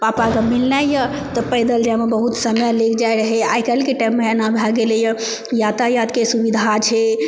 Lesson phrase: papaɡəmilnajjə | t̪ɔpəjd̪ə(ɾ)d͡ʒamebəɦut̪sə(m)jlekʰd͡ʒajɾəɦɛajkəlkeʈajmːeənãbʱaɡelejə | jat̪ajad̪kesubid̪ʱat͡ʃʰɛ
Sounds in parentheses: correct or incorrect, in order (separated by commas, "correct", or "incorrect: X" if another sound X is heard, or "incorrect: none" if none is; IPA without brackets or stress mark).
incorrect: l, correct